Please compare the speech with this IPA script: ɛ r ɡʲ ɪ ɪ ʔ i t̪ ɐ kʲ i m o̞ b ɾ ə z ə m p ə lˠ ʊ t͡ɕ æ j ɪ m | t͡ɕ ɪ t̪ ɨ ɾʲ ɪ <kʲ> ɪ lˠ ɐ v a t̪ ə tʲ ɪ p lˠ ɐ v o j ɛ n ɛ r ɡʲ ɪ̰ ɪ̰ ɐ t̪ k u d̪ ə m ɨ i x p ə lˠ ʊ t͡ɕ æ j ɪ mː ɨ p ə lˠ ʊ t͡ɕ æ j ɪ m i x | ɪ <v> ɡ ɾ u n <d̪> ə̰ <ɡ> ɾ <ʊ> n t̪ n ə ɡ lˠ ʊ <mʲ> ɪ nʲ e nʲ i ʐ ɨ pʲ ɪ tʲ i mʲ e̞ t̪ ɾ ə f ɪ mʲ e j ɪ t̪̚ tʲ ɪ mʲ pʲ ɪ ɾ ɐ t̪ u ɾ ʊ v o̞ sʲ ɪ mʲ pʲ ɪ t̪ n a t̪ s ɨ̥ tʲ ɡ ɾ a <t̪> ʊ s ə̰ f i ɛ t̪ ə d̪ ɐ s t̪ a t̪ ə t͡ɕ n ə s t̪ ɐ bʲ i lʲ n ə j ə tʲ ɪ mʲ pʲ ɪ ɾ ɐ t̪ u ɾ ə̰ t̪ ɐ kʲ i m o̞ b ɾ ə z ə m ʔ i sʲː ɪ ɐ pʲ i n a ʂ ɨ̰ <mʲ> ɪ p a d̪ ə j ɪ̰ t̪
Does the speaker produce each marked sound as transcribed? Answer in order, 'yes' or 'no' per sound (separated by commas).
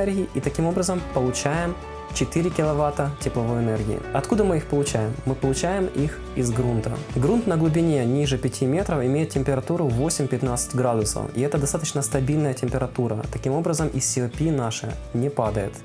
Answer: yes, no, no, yes, no, no, no, no